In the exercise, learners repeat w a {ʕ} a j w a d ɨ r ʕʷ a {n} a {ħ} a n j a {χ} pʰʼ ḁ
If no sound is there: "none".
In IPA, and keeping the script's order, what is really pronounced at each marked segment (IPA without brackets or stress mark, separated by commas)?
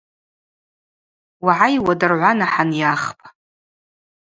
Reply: ʕ, n, ħ, χ